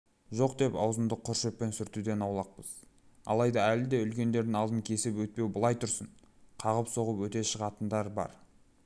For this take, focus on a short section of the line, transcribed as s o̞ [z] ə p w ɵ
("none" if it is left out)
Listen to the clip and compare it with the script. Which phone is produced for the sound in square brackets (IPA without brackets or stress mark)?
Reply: ʁ